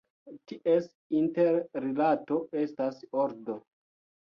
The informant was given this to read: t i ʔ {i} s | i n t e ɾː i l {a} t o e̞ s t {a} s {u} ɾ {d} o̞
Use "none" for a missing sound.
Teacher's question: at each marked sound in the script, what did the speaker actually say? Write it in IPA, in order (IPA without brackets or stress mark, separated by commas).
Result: e, a, a, o, d